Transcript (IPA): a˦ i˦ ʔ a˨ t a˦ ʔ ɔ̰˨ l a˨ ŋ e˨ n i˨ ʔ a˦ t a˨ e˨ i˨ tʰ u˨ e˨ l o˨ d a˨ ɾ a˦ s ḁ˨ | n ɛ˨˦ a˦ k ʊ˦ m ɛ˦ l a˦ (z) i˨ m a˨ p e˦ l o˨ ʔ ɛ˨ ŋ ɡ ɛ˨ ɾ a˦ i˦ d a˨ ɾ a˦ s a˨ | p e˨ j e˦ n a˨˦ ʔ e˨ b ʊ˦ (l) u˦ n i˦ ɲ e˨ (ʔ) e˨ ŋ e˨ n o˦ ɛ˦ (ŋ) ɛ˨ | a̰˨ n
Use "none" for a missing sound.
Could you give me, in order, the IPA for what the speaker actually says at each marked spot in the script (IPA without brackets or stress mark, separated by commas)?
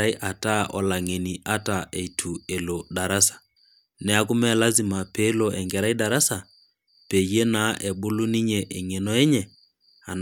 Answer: z, l, ʔ, ɲ